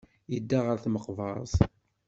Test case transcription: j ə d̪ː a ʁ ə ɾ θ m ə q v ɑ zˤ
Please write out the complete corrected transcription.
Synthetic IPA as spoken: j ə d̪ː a ʁ ə ɾ θ m ə q v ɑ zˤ